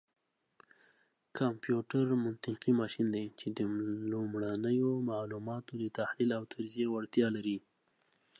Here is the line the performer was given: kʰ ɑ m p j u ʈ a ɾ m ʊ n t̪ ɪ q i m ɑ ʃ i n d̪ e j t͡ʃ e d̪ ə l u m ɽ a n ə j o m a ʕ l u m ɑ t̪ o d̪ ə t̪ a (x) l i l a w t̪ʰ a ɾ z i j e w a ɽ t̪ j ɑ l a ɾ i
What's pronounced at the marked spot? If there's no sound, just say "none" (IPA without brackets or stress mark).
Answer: h